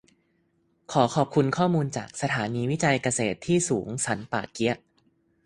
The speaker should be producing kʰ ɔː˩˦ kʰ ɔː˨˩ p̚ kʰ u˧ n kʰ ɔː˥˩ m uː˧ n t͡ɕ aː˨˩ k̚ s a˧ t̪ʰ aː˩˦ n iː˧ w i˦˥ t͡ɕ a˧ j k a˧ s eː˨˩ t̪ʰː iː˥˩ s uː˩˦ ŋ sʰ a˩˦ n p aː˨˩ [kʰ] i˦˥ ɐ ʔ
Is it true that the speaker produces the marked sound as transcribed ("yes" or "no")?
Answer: no